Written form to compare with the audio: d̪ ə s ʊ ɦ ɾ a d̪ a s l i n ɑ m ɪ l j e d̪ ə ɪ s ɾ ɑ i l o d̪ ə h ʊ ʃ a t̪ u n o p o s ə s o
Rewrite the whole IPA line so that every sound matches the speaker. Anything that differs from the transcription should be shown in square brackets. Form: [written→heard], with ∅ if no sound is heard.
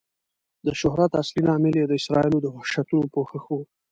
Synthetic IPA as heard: d̪ ə [s→ʃ] ʊ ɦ ɾ a [d̪→t̪] a s l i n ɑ m ɪ l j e d̪ ə ɪ s ɾ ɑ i l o d̪ ə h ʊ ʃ a t̪ u n o p o [s→x] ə [s→x] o